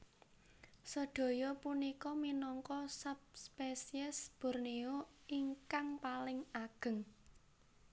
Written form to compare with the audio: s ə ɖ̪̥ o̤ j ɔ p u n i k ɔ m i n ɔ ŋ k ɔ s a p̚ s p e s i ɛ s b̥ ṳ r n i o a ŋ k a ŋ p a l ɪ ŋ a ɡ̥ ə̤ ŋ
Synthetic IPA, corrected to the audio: s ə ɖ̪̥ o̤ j ɔ p u n i k ɔ m i n ɔ ŋ k ɔ s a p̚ s p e s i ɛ s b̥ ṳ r n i o i ŋ k a ŋ p a l ɪ ŋ a ɡ̥ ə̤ ŋ